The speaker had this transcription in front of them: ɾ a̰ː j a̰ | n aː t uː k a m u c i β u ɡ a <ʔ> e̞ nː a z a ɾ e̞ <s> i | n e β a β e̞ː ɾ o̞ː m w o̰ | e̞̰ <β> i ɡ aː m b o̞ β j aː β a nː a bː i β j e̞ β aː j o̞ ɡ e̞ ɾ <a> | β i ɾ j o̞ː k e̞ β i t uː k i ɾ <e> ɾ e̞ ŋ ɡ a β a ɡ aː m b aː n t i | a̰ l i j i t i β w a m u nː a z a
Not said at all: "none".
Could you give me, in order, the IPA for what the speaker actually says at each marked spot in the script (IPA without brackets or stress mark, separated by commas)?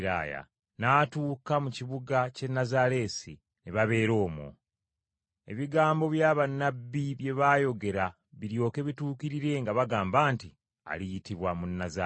c, s, β, a, i